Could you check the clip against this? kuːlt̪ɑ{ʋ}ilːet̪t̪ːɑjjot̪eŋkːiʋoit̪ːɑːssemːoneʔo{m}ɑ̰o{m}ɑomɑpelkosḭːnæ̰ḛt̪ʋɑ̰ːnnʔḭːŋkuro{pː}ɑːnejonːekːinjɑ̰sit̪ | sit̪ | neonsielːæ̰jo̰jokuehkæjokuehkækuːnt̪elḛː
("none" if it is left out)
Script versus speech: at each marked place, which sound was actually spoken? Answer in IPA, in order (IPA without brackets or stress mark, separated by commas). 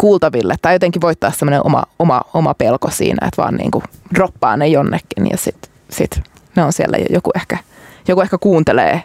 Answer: ʋ, m, m, pː